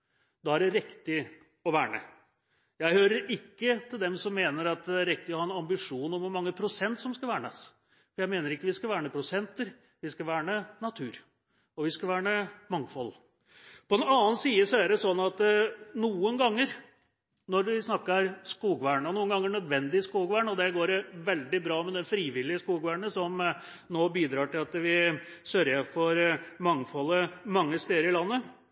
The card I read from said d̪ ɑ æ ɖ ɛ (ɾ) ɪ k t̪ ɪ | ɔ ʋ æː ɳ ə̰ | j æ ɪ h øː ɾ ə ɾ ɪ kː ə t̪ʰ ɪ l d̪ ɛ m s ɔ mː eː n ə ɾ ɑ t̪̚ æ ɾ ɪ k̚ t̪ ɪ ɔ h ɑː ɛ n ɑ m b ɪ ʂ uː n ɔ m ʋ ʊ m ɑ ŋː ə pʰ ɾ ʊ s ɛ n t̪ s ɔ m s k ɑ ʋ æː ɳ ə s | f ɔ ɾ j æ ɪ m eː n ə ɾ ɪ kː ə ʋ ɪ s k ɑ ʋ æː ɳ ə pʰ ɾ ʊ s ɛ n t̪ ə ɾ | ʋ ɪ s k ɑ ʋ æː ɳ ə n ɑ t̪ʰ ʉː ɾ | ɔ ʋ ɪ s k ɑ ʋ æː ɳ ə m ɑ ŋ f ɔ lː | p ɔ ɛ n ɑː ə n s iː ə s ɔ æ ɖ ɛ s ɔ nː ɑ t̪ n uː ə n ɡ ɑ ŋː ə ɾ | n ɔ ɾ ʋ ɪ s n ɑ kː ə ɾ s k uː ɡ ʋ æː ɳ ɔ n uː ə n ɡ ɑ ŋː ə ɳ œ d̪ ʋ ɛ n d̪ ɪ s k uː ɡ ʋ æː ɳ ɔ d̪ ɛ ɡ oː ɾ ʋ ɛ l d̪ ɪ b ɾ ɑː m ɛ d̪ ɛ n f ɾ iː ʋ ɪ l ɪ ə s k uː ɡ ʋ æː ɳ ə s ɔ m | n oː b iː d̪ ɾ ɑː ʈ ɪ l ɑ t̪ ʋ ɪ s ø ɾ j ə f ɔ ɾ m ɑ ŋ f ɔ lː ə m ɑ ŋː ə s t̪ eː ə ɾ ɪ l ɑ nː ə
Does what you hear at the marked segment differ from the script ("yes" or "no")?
no